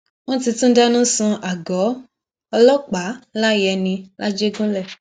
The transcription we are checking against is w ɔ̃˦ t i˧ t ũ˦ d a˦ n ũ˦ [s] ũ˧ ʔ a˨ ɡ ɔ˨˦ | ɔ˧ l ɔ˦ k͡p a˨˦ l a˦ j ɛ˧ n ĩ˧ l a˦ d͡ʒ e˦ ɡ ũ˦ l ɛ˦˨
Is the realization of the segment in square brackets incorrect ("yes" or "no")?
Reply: no